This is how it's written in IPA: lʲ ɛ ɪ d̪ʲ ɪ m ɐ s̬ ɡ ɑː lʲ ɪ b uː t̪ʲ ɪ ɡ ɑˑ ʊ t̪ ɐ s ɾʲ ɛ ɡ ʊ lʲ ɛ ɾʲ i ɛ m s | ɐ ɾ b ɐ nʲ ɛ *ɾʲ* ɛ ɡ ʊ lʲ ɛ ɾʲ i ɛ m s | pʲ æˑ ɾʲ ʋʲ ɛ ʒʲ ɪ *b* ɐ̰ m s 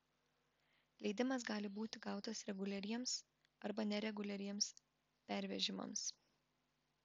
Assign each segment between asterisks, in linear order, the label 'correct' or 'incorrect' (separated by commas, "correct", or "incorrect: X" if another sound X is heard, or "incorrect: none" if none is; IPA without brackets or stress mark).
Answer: correct, incorrect: m